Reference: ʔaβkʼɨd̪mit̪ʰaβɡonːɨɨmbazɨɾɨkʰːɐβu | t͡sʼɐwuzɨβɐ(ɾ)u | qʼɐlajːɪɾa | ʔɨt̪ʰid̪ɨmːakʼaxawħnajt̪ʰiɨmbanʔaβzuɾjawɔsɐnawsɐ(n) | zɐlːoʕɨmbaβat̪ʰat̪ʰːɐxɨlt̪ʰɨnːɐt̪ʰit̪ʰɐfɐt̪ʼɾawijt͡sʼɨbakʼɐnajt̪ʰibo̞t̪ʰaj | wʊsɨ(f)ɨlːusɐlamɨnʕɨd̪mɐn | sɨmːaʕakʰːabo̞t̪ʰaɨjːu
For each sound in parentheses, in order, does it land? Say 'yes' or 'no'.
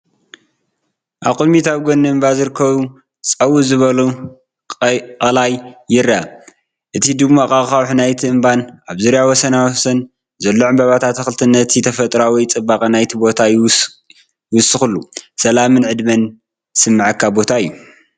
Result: no, yes, no

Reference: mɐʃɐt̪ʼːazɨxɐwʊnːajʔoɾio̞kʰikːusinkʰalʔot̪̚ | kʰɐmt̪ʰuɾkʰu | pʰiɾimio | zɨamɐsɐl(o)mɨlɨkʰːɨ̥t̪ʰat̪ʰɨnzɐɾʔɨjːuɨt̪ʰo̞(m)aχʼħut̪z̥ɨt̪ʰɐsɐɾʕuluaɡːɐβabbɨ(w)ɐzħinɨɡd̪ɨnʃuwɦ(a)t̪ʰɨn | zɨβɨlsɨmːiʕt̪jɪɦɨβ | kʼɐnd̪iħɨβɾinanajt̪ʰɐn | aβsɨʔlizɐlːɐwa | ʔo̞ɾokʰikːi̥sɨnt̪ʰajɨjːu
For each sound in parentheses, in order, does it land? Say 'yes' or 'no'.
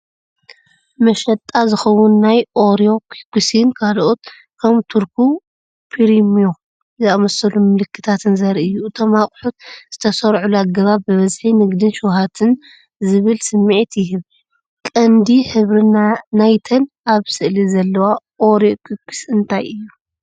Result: no, yes, no, yes

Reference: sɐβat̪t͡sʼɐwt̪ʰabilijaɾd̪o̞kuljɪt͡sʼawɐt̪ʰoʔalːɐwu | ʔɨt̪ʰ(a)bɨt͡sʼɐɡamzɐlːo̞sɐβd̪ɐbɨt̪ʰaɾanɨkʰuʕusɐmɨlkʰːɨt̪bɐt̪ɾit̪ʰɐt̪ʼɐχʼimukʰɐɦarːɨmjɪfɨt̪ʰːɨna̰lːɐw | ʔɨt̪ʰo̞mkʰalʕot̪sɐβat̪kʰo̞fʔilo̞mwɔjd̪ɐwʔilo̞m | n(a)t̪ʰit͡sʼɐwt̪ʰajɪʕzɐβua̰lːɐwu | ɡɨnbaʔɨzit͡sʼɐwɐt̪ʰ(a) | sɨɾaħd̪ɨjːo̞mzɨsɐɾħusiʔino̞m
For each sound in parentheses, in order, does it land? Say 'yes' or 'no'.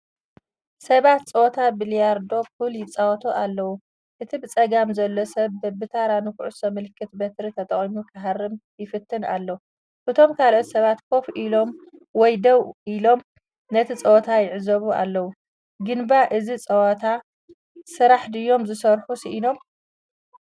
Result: no, no, yes

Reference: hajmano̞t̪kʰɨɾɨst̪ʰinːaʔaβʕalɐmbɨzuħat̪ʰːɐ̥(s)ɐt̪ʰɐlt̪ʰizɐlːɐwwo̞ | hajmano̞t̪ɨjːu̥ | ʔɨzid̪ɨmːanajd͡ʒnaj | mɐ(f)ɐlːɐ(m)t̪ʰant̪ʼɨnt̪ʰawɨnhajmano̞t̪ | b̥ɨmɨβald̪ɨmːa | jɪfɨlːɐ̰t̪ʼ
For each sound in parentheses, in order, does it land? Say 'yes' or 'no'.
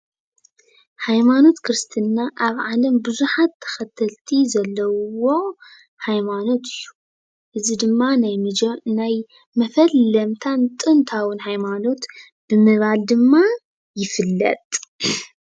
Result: no, yes, yes

